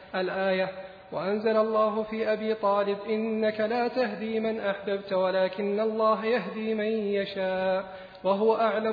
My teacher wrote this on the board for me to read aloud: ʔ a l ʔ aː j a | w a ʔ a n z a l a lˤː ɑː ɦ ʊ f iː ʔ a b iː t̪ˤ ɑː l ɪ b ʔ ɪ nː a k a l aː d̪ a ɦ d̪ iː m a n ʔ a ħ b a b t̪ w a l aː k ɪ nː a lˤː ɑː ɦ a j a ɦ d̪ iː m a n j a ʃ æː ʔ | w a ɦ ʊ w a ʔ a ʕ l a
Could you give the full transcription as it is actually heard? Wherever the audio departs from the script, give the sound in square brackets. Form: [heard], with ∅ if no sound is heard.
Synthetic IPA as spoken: ʔ a l ʔ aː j a | w a ʔ a n z a l a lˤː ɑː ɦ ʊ f iː ʔ a b iː t̪ˤ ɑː l ɪ b ʔ ɪ nː a k a l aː [t̪] a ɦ d̪ iː m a n ʔ a ħ b a b t̪ w a l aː k ɪ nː a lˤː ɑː ɦ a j a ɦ d̪ iː m a n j a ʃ [aː] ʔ | w a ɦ ʊ w a ʔ a ʕ l a